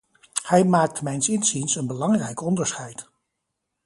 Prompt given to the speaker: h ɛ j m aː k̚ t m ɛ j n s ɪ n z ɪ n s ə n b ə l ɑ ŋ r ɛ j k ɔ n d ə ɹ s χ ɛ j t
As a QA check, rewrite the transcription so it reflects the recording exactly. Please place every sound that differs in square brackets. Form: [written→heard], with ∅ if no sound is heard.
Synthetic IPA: h ɛ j m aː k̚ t m ɛ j n s ɪ n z [ɪ→i] n s ə n b ə l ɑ ŋ r ɛ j k ɔ n d ə ɹ s χ ɛ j t